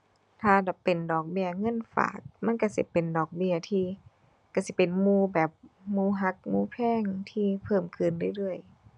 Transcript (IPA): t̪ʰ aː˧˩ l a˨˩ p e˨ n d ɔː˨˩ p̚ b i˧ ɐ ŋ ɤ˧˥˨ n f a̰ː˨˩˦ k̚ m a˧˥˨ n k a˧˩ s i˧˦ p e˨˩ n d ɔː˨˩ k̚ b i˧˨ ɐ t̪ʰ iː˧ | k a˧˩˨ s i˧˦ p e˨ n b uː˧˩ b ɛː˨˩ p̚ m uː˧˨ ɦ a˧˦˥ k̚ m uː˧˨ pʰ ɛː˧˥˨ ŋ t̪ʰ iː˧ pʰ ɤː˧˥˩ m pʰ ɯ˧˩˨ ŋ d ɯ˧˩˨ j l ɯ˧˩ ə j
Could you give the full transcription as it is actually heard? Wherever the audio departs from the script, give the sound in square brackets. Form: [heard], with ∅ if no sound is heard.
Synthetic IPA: t̪ʰ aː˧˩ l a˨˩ p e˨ n d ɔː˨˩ [k̚] b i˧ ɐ ŋ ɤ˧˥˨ n f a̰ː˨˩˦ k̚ m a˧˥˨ n k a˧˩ s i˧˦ p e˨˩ n d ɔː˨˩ k̚ b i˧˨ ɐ t̪ʰ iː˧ | k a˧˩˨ s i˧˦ p e˨ n [m] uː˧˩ b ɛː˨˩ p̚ m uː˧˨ ɦ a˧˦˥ k̚ m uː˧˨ pʰ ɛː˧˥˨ ŋ t̪ʰ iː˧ pʰ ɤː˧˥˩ m [kʰ] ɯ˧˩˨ [n] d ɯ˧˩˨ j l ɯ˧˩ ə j